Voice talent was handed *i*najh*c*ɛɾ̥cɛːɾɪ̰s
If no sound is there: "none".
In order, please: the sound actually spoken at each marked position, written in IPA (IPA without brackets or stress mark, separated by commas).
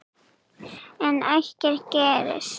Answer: ɛ, c